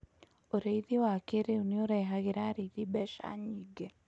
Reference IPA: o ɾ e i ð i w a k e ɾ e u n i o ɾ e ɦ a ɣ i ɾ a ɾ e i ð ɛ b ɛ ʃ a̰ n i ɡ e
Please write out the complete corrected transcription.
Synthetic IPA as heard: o ɾ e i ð i w a k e ɾ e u n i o ɾ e ɦ a ɣ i ɾ a ɾ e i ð i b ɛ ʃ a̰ ɲ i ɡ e